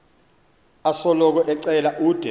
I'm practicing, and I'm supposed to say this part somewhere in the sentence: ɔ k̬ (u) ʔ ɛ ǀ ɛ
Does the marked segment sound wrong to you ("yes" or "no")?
yes